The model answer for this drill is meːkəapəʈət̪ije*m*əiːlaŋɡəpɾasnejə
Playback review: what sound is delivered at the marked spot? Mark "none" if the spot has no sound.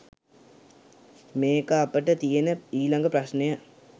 n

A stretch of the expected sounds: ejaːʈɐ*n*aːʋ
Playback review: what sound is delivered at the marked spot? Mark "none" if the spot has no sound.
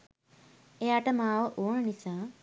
m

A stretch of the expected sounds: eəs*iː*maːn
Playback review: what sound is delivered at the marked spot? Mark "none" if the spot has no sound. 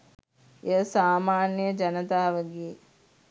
aː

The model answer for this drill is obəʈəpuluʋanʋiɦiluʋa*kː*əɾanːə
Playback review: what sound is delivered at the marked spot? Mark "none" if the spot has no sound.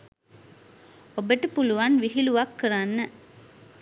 kː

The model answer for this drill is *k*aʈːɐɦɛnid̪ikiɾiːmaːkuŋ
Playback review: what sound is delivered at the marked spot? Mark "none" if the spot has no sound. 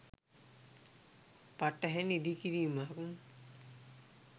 p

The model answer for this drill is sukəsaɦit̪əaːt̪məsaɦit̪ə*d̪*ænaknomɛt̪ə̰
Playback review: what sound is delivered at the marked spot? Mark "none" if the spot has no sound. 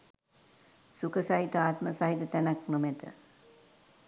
t̪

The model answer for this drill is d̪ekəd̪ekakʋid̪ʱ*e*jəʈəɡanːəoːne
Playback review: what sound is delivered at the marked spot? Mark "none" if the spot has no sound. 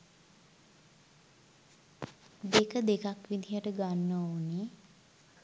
i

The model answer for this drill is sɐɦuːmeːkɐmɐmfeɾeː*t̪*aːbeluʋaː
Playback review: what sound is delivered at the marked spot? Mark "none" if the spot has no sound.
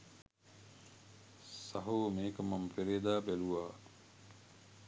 d̪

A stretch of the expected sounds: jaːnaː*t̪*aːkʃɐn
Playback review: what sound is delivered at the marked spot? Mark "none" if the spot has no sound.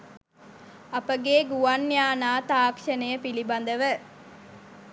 t̪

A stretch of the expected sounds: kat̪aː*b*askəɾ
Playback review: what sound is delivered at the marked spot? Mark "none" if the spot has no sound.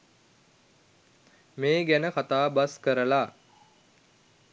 b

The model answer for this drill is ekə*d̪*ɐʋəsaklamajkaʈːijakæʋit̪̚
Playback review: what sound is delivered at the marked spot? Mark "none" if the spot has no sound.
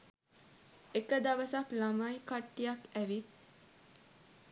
d̪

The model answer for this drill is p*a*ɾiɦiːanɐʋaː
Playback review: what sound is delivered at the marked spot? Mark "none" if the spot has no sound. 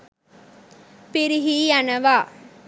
i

